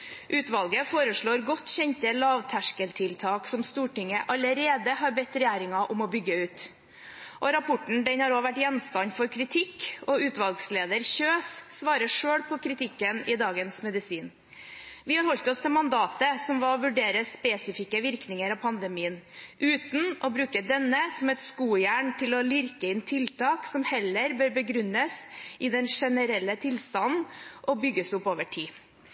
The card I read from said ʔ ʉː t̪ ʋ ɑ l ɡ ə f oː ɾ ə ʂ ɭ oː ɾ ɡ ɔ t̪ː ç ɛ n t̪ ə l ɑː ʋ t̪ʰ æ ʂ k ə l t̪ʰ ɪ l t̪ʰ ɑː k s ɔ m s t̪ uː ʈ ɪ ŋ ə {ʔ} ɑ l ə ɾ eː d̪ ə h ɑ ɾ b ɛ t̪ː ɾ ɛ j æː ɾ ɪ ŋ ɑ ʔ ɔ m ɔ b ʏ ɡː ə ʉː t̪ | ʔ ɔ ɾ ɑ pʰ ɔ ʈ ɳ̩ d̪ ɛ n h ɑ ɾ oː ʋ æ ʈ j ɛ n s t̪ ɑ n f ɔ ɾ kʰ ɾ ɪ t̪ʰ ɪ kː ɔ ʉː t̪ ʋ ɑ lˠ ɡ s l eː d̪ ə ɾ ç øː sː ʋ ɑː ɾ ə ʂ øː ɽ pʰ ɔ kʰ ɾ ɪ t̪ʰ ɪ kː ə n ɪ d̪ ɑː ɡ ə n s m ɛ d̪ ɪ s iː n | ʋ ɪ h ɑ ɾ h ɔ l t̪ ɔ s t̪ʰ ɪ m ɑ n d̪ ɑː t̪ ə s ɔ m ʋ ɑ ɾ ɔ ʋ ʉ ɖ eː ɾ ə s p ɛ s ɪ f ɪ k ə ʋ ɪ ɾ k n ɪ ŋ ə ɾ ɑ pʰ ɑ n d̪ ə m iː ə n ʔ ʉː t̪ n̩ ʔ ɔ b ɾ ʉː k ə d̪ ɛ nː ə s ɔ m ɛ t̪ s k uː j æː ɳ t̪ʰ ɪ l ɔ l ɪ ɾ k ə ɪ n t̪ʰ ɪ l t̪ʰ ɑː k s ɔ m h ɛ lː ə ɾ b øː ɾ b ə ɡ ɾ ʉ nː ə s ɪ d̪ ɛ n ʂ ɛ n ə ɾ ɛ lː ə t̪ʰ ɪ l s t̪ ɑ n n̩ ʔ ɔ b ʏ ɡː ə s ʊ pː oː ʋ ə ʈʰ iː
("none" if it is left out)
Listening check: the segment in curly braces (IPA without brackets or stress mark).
ʔ